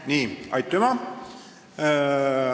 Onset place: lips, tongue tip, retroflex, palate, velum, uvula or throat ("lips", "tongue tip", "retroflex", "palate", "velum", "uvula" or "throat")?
tongue tip